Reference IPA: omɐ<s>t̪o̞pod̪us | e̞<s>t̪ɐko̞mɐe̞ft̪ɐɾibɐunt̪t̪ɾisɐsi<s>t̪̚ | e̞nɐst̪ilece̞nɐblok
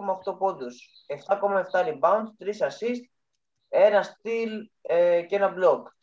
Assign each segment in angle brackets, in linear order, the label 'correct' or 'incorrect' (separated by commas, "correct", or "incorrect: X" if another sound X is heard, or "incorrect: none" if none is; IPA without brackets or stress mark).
incorrect: f, incorrect: f, correct